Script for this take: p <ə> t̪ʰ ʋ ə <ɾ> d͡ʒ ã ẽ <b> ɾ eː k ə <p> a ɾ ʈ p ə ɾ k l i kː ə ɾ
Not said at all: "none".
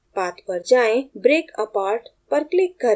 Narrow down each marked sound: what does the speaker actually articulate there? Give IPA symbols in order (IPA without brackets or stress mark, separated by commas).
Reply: a, ɾ, b, p